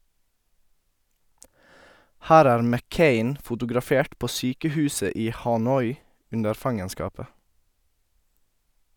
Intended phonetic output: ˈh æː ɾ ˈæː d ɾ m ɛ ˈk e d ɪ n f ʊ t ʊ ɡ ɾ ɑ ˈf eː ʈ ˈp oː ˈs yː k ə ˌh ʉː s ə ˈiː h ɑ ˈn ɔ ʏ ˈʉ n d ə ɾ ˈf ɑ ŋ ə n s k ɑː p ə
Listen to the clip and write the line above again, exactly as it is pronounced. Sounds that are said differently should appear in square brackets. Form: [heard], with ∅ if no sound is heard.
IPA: ˈh æː ɾ ˈæː [∅] ɾ m ɛ ˈk e [∅] ɪ n f ʊ t ʊ ɡ ɾ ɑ ˈf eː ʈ ˈp oː ˈs yː k ə ˌh ʉː s ə ˈiː h ɑ ˈn ɔ ʏ ˈʉ n d ə ɾ ˈf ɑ ŋ ə n s k ɑː p ə